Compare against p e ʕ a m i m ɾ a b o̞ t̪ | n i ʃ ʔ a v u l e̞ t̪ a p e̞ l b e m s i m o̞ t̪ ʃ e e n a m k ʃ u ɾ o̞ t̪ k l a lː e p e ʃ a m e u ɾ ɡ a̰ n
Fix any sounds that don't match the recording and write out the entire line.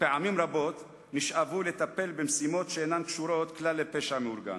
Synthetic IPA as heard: p e ʕ a m i m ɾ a b o̞ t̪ | n i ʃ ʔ a v u l e̞ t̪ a p e̞ l b e m s i m o̞ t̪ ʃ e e n a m k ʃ u ɾ o̞ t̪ k l a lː e p e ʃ a m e u ɾ ɡ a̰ n